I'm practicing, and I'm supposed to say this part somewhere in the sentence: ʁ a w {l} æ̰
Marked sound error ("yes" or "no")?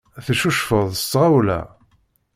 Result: no